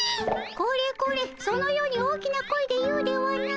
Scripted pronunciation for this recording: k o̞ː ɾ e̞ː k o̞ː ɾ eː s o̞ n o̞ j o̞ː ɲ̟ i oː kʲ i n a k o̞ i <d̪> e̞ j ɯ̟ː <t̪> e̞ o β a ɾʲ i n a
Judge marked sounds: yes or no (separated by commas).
yes, no